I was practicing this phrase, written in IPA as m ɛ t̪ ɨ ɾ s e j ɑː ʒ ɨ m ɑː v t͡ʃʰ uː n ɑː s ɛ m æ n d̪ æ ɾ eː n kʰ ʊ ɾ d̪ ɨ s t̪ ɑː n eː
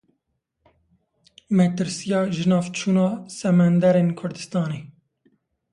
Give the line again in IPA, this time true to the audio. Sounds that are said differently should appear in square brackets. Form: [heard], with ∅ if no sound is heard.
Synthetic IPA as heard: m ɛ t̪ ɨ ɾ s [i] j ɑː ʒ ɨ [n] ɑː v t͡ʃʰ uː n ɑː s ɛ m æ n d̪ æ ɾ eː n kʰ ʊ ɾ d̪ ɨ s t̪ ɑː n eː